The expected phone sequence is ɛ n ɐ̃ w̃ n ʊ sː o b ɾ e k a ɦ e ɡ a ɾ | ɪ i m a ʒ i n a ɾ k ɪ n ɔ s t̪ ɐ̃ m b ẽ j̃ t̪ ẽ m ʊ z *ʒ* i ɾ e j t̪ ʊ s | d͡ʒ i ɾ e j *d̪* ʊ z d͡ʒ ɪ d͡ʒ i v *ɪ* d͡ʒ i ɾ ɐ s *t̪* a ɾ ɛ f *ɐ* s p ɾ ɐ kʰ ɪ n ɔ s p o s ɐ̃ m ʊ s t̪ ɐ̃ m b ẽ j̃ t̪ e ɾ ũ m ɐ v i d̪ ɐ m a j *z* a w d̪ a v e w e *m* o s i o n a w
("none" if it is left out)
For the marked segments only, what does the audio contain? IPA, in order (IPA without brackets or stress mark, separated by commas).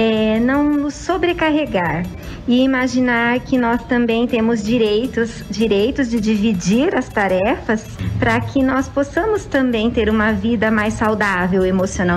d͡ʒ, t̪, i, t̪, ɐ, s, m